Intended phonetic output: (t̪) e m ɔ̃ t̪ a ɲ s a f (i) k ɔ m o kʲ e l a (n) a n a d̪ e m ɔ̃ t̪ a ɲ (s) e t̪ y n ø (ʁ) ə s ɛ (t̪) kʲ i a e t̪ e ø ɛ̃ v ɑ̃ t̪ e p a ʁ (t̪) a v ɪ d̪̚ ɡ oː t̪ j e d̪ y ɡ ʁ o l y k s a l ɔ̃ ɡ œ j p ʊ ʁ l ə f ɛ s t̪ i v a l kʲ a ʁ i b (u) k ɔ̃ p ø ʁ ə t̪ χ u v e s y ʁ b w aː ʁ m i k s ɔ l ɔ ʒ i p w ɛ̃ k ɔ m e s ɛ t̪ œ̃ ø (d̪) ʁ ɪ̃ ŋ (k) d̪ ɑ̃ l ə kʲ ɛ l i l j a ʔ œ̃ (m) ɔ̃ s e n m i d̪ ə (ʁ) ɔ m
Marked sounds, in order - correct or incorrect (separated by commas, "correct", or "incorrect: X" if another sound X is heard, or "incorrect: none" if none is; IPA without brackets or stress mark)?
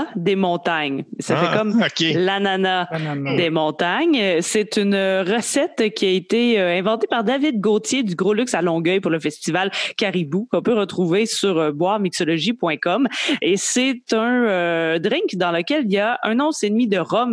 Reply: incorrect: d̪, incorrect: ɛ, correct, correct, correct, correct, incorrect: d̪, correct, correct, correct, incorrect: n, correct